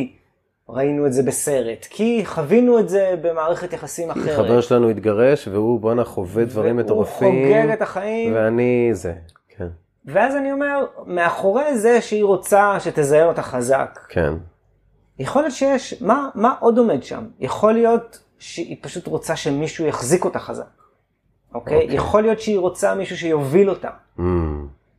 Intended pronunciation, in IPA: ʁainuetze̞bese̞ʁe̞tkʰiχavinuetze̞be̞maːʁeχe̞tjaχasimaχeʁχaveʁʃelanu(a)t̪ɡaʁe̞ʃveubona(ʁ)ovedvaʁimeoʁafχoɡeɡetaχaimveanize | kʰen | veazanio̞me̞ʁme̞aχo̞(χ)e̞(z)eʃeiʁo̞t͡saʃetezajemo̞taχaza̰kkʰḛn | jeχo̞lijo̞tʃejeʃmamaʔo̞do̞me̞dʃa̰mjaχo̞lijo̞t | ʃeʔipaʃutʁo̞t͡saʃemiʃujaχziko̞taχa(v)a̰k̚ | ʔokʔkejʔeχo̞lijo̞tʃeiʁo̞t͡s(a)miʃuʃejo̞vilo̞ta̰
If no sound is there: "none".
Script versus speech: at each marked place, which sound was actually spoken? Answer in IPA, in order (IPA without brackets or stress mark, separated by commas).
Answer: i, χ, ʁ, z, z, a